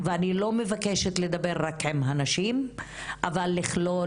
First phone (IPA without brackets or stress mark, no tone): v